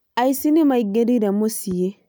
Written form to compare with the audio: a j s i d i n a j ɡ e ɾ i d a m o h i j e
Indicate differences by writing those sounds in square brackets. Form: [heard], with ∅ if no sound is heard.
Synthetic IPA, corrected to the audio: a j s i [n] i [m] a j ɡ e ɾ i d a m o [s] i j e